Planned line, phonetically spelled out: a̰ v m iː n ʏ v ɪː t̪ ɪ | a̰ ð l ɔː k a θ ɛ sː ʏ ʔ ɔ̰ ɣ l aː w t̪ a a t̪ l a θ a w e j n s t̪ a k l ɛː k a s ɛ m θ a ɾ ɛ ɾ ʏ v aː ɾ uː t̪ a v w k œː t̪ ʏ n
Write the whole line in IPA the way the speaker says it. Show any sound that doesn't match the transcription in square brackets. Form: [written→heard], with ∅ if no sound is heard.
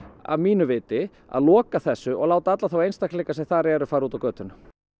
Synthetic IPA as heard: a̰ v m iː n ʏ v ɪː t̪ ɪ | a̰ ð l ɔː k a θ ɛ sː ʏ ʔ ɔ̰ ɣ l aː w t̪ a a t̪ l a θ a w e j n s t̪ a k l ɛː k a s ɛ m θ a ɾ ɛ ɾ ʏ [v→f] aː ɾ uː t̪ a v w k œː t̪ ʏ n